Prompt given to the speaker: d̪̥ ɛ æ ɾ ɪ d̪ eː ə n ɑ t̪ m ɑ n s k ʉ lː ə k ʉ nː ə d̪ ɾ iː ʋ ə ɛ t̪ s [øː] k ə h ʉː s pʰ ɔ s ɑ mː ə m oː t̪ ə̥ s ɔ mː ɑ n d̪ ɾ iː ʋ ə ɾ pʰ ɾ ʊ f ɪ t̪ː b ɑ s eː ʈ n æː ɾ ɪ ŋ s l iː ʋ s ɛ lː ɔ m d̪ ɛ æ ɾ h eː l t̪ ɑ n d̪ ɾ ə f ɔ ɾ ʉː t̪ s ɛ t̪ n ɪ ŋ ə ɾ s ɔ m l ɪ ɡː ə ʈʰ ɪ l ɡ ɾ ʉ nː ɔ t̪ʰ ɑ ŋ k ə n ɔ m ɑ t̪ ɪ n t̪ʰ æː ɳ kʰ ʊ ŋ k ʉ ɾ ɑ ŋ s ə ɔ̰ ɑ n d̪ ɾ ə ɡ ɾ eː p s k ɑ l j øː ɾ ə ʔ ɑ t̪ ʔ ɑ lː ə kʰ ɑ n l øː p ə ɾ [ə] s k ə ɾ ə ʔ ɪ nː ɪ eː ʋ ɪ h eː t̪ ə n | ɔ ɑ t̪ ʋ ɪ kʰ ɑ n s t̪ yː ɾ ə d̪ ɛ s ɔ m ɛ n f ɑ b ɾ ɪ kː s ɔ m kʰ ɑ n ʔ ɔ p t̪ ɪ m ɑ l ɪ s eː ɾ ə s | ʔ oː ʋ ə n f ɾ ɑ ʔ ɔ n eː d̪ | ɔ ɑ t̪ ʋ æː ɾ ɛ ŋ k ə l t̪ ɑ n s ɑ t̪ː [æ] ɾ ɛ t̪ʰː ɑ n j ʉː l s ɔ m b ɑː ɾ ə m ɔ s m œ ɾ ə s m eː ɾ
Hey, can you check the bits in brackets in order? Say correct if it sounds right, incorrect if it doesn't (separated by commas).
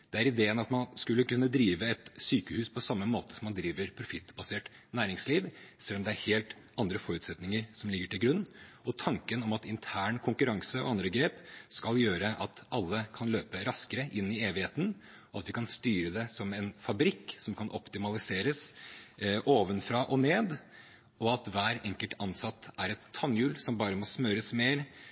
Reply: incorrect, incorrect, correct